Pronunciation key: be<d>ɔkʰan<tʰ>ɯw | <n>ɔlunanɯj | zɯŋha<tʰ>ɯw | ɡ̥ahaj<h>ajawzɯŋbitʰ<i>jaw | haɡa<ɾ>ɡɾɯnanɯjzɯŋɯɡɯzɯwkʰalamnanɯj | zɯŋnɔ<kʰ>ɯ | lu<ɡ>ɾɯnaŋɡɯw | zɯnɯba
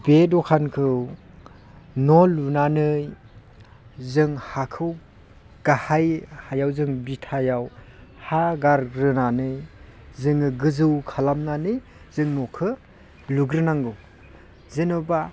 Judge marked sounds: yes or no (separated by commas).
yes, no, yes, no, yes, no, yes, yes, yes